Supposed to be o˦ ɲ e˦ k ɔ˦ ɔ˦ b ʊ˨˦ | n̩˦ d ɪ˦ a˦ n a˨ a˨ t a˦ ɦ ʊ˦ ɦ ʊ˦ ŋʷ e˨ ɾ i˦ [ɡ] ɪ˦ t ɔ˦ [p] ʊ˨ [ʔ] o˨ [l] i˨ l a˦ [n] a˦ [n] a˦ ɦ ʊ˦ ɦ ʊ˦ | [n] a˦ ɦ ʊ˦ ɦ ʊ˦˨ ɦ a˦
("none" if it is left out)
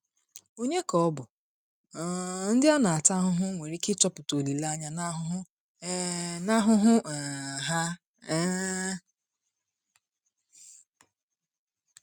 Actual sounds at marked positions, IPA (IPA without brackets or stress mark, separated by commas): k, p, t, l, ɲ, n, n